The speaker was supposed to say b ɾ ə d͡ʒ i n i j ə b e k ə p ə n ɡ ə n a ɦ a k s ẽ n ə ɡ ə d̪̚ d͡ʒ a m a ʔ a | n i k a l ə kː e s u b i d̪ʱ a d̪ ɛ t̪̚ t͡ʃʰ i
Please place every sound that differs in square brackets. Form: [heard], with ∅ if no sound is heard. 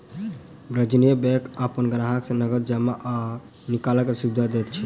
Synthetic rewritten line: b ɾ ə d͡ʒ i n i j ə b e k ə p ə n ɡ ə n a ɦ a k s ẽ n ə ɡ ə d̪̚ d͡ʒ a m a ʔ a | n i k a l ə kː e s u b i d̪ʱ a d̪ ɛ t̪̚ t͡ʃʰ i